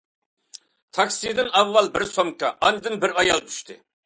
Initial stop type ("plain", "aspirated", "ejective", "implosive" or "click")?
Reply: aspirated